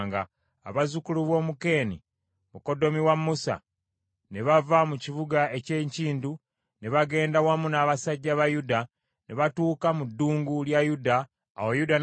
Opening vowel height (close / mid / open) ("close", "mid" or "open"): open